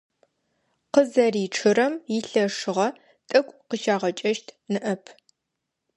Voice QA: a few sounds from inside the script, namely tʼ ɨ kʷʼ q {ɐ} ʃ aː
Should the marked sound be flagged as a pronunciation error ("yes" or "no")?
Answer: yes